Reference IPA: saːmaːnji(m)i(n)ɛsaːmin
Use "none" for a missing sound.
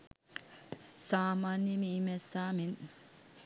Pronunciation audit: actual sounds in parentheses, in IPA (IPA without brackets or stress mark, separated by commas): m, m